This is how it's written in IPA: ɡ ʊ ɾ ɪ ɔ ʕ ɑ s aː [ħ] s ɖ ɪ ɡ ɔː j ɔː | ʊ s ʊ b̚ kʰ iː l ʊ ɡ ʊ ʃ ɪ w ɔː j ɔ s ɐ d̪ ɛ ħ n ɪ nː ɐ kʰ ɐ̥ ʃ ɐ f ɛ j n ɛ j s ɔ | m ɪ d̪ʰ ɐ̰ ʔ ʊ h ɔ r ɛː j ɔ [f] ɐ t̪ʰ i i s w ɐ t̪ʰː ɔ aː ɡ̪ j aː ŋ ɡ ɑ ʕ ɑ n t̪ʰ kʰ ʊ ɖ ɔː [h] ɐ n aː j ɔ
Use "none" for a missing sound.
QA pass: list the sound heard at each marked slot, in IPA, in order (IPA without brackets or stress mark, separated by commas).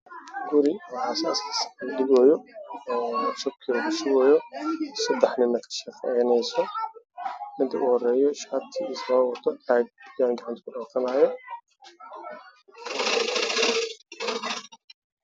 s, ʃ, f